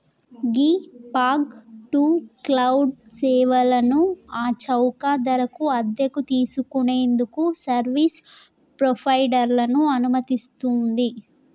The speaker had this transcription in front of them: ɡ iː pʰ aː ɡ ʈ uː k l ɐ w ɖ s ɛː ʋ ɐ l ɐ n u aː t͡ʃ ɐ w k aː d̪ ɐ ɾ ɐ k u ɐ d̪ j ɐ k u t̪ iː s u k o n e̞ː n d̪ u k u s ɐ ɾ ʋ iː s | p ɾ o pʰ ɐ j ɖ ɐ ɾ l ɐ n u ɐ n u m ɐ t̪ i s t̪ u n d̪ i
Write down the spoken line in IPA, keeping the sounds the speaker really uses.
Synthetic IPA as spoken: ɡ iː p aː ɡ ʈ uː k l ɐ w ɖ s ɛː ʋ ɐ l ɐ n u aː t͡ʃ ɐ w k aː d̪ ɐ ɾ ɐ k u ɐ d̪ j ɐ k u t̪ iː s u k u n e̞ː n d̪ u k u s ɐ ɾ ʋ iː s | p ɾ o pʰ ɐ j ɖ ɐ ɾ l ɐ n u ɐ n u m ɐ t̪ i s t̪ u n d̪ i